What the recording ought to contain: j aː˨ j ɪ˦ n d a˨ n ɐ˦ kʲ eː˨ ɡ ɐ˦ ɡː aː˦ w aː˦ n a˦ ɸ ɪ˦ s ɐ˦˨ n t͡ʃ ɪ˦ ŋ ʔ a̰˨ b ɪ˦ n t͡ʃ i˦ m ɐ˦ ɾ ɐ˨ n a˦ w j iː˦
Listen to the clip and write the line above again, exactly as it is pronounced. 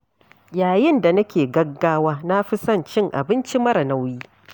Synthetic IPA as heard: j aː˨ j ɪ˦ n d a˨ n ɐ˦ kʲ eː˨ ɡ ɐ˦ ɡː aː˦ w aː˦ n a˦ ɸ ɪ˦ s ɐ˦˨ n t͡ʃ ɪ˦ ŋ ʔ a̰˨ b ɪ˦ n t͡ʃ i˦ m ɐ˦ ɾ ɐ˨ n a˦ w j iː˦